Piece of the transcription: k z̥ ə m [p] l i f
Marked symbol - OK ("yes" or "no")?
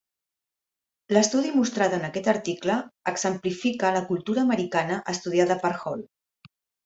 yes